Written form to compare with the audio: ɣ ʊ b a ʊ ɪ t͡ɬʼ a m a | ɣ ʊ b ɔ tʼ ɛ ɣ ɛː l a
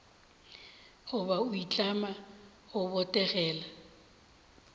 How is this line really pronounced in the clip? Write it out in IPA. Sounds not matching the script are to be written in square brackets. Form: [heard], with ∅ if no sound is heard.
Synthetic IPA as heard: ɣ ʊ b a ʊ [i] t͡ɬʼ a m a | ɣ ʊ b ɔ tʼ ɛ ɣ ɛː l a